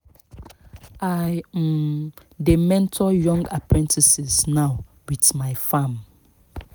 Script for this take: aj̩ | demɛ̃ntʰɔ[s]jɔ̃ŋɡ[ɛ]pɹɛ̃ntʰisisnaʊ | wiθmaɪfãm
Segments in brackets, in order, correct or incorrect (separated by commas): incorrect, incorrect